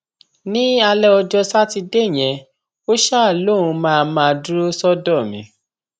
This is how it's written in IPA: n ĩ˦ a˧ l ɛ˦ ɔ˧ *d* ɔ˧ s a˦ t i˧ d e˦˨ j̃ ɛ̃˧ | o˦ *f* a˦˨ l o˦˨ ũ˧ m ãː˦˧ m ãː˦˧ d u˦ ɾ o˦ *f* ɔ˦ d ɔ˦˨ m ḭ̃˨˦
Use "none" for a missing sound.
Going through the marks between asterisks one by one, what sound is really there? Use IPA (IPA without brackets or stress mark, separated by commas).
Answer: d͡ʒ, ʃ, s